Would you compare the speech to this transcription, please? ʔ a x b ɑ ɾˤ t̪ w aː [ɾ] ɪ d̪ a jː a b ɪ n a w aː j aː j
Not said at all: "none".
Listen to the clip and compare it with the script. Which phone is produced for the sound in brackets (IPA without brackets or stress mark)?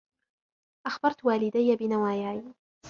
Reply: l